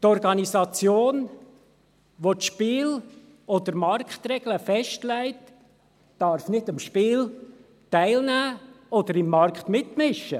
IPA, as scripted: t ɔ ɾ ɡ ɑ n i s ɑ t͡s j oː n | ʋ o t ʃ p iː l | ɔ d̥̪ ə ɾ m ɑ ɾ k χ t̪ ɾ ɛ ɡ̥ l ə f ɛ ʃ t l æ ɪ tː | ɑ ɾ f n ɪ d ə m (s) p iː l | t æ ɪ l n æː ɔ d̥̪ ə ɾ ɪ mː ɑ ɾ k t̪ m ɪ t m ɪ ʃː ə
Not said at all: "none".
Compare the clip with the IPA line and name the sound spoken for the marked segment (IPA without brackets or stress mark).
ʃ